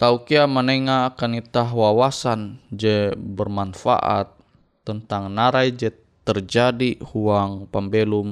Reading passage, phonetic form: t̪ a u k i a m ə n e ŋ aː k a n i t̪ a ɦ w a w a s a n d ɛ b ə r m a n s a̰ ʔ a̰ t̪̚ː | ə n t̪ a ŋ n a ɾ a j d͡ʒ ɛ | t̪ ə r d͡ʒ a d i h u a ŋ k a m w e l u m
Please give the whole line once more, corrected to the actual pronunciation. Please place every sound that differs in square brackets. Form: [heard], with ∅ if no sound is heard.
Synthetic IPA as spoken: t̪ a u k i a m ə n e ŋ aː k a n i t̪ a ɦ w a w a s a n [d͡ʒ] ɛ b ə r m a n [f] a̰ ʔ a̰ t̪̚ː | ə n t̪ a ŋ n a ɾ a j d͡ʒ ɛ | t̪ ə r d͡ʒ a d i h u a ŋ [p] a m [b] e l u m